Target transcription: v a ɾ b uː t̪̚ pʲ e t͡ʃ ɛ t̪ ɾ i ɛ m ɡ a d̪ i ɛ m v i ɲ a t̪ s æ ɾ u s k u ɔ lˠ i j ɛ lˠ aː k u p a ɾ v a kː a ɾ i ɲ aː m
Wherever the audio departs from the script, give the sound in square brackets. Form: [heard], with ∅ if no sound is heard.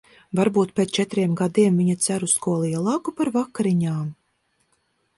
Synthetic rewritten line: v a ɾ b uː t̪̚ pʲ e t͡ʃ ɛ t̪ ɾ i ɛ m ɡ a d̪ i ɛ m v i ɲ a t̪ s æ ɾ u s k u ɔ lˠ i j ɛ lˠ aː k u p a ɾ v a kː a ɾ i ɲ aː m